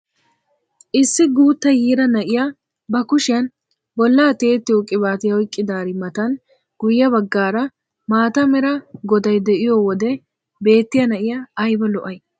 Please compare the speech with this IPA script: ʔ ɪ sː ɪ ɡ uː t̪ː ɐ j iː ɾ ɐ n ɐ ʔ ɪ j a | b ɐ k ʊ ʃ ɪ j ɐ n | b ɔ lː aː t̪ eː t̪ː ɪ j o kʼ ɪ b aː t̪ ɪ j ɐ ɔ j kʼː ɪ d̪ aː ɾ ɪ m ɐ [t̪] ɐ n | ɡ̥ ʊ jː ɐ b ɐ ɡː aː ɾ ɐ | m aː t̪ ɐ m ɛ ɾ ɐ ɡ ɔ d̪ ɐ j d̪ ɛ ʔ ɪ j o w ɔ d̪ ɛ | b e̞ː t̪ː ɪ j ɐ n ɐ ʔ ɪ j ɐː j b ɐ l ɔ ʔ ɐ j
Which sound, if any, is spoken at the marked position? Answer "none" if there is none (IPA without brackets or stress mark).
t̪